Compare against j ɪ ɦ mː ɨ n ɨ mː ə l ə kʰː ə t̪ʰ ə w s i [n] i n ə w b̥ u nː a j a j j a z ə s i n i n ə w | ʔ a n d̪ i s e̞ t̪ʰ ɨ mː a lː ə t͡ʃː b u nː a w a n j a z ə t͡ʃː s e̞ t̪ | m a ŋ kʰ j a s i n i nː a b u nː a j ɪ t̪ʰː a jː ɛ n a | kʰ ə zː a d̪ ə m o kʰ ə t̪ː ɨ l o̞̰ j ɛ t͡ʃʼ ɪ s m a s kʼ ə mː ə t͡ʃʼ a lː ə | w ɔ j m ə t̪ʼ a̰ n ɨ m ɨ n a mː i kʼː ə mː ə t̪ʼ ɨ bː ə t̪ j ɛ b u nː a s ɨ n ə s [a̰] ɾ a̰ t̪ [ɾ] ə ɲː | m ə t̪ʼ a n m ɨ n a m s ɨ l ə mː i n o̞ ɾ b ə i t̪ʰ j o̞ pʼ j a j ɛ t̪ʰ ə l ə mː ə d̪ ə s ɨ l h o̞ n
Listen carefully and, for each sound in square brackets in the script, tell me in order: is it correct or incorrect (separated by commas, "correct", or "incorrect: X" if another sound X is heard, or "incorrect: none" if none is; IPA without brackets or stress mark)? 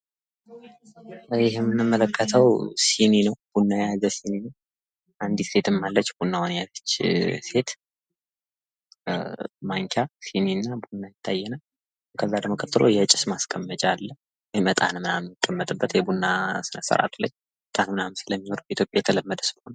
correct, incorrect: ə̰, incorrect: l